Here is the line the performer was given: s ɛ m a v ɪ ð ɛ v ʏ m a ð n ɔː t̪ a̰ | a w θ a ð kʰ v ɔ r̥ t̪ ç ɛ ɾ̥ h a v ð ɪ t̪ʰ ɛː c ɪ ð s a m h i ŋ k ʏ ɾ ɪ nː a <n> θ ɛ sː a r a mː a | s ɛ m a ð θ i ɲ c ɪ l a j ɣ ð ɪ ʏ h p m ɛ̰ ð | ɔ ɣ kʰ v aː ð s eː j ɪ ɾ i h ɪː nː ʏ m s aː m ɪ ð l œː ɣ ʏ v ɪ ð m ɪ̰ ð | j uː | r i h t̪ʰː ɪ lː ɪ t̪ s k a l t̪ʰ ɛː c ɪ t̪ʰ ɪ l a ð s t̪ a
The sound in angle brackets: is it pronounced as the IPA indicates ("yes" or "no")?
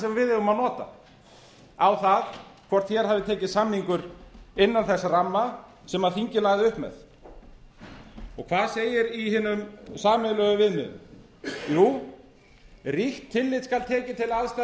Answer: yes